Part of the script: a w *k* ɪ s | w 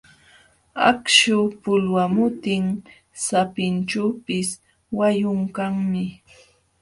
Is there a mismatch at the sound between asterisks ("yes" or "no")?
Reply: yes